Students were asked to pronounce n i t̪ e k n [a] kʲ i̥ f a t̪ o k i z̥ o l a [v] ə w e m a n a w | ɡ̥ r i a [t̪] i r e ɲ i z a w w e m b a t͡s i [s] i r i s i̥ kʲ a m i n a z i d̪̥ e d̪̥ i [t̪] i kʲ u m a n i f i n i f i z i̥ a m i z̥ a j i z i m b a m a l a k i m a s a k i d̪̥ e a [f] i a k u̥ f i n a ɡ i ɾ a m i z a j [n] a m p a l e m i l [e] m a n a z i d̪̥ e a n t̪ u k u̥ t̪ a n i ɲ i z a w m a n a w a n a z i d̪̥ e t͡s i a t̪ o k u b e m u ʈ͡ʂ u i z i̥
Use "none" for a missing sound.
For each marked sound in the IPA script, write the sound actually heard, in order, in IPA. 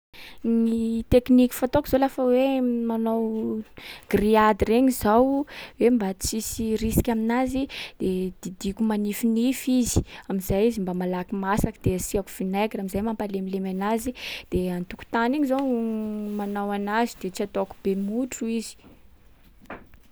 i, f, d̪, s, d̪, s, m, e

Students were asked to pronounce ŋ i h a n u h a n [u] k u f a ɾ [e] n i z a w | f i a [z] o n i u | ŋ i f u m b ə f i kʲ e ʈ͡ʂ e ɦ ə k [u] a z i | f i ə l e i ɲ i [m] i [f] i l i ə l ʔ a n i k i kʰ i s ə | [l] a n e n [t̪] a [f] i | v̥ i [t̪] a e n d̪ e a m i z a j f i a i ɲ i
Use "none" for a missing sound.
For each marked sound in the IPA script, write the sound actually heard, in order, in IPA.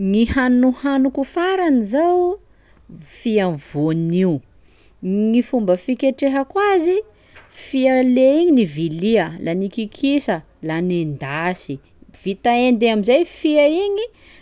u, a, v, w, n, v, l, d̪, s, t̪

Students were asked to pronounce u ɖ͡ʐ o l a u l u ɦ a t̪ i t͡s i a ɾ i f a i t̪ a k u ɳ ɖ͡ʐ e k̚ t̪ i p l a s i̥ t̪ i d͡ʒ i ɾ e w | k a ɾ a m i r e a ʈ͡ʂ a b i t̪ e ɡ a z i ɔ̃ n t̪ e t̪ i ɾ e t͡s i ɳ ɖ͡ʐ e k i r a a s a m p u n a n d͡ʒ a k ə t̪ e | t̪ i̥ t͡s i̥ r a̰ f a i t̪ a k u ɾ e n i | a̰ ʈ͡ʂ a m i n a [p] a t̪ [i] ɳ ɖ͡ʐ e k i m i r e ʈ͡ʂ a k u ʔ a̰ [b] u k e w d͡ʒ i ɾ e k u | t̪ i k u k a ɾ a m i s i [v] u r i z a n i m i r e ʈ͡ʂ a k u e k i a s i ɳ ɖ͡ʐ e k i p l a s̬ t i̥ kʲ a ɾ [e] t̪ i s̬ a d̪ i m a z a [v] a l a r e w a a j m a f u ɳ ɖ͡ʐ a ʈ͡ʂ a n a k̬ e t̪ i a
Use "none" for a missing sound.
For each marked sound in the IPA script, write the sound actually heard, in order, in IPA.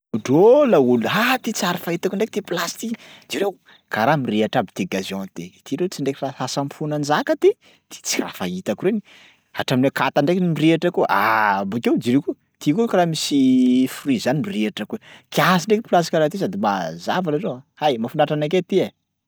k, a, b, f, a, v

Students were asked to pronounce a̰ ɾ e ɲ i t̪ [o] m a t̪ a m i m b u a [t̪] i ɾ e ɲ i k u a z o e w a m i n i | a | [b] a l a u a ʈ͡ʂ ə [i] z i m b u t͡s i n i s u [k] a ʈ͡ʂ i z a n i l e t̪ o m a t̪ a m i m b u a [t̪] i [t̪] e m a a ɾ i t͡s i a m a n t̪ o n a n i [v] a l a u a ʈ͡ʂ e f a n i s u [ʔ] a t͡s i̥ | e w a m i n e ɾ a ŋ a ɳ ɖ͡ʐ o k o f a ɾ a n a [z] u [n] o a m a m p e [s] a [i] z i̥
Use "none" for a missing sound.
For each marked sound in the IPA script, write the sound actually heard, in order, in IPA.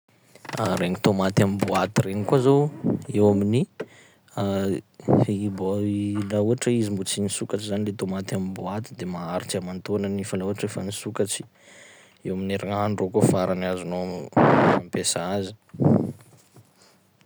o, t̪, b, i, k, t̪, d̪, f, k, z, n, s, a

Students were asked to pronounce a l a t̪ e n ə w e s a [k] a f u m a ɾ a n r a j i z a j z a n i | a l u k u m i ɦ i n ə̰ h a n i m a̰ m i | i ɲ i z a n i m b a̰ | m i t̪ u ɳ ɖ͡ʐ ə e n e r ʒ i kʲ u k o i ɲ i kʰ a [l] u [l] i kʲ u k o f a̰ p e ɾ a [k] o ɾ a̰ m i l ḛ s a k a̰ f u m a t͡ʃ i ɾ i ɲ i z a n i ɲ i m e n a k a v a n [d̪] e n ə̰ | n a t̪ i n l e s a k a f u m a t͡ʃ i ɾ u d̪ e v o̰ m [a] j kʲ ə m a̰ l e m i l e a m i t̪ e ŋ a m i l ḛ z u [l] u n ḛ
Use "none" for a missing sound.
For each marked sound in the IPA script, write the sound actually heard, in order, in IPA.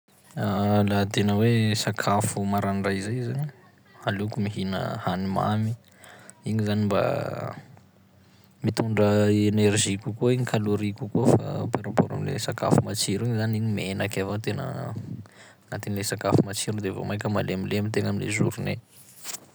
kʰ, l, ɾ, p, t̪, a, ɾ

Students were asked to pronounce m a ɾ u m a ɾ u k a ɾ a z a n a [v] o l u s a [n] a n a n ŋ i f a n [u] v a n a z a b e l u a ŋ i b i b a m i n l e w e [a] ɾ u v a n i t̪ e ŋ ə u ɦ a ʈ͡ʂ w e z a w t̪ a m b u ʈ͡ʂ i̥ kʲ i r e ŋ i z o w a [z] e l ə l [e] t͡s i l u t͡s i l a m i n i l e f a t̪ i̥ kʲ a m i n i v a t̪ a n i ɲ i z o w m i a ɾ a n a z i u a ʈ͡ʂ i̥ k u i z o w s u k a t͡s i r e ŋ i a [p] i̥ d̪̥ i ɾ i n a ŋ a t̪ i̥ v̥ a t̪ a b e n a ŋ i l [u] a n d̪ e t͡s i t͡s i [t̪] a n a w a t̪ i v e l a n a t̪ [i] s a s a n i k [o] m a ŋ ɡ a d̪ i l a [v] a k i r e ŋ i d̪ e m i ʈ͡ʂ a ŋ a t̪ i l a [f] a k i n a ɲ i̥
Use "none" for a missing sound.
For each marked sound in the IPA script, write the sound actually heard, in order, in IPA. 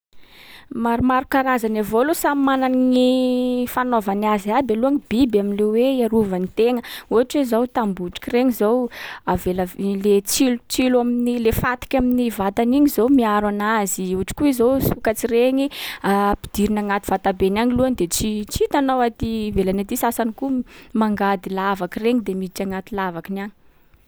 v, m, o, a, v, e, p, u, t̪, i, u, v, v

